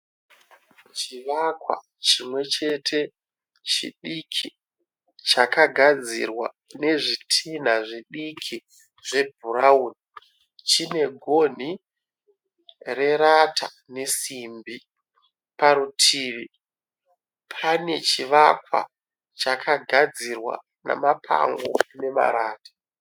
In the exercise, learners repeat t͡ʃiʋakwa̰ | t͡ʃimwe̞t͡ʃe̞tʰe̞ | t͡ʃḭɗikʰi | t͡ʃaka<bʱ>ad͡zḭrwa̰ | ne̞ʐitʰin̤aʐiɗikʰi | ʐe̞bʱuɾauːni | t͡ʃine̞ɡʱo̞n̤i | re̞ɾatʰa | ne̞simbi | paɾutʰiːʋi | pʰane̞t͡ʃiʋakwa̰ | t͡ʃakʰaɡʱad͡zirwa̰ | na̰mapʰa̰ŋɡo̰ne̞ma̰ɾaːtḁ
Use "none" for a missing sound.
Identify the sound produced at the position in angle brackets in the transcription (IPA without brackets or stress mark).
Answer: ɡʱ